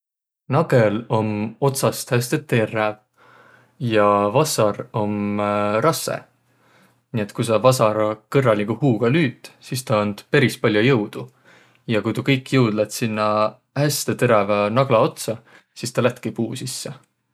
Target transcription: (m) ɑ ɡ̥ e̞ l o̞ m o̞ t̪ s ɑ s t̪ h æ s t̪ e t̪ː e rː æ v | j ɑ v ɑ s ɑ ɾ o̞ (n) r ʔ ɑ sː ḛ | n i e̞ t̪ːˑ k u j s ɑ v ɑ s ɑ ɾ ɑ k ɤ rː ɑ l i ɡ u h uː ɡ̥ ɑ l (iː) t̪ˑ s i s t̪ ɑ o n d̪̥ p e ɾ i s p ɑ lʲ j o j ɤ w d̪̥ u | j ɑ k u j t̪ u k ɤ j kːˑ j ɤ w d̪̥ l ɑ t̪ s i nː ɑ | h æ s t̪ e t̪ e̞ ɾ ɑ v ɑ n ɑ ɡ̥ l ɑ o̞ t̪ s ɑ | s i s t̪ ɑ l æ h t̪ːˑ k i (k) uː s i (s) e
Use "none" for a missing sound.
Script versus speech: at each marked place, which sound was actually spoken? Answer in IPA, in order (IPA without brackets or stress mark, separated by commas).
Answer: n, m, yː, p, sː